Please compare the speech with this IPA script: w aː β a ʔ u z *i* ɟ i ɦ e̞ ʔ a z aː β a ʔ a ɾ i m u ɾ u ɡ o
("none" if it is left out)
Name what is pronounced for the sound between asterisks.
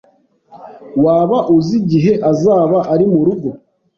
i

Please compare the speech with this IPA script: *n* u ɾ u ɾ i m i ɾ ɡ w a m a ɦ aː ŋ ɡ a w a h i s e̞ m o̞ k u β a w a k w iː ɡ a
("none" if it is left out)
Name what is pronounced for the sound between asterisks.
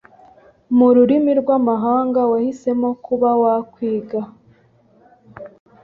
m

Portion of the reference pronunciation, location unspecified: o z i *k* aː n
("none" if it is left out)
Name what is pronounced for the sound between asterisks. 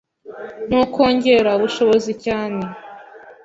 c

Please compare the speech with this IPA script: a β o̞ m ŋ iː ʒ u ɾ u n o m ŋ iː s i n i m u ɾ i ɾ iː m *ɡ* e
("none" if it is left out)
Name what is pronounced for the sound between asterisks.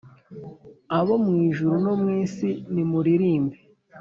b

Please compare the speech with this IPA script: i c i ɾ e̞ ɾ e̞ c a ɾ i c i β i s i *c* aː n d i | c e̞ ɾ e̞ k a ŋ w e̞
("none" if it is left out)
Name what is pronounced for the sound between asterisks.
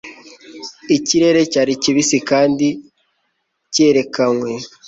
k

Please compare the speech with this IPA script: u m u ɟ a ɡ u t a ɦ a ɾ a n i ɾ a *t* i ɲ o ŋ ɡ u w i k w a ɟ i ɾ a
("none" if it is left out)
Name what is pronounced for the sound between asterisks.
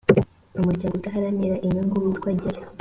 ʔ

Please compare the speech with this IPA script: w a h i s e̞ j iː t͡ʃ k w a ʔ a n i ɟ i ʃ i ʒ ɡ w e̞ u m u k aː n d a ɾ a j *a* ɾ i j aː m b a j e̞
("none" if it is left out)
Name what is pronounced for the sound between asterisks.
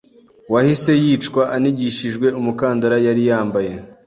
a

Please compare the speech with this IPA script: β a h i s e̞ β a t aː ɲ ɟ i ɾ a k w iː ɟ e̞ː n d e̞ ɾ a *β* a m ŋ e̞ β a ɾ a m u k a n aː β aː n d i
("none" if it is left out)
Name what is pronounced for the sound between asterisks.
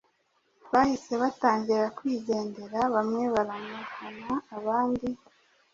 β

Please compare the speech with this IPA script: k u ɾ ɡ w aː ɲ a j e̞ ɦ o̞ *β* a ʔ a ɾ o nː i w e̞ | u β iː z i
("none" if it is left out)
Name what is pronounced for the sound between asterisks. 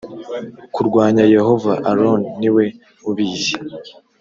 v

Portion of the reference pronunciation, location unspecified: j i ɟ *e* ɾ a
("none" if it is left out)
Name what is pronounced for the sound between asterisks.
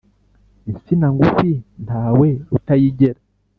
e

